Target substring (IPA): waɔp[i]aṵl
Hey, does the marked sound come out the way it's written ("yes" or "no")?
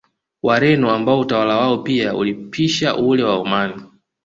yes